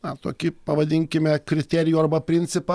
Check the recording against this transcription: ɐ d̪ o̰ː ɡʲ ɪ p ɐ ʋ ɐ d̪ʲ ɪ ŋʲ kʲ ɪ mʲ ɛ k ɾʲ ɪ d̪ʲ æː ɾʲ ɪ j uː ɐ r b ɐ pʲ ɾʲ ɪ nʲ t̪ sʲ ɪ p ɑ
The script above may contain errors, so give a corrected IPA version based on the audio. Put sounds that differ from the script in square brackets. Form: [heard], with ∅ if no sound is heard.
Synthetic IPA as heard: ɐ [t̪] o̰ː [kʲ] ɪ p ɐ ʋ ɐ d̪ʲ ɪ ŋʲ kʲ ɪ mʲ ɛ k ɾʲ ɪ [t̪ʲ] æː ɾʲ ɪ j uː ɐ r b ɐ pʲ ɾʲ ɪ nʲ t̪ sʲ ɪ p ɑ